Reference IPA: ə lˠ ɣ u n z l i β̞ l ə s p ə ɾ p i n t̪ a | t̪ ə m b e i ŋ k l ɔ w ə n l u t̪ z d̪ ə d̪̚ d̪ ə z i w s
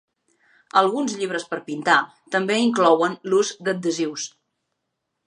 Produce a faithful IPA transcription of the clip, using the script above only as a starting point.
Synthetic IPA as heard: ə lˠ ɣ u n z ʎ i β̞ ɾ ə s p ə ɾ p i n t̪ a | t̪ ə m b e i ŋ k l ɔ w ə n l u z d̪ ə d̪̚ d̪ ə z i w s